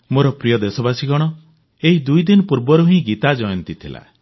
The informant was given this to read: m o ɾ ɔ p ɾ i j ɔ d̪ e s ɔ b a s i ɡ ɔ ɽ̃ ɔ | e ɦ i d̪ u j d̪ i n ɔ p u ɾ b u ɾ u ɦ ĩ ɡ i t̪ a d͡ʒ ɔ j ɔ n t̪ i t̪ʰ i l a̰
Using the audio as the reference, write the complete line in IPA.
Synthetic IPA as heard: m o ɾ ɔ p ɾ i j ɔ d̪ e s ɔ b a s i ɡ ɔ ɽ̃ ɔ | e ɦ i d̪ u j d̪ i n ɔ p u ɾ b ɔ ɾ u ɦ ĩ ɡ i t̪ a d͡ʒ ɔ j ɔ n t̪ i t̪ʰ i l a̰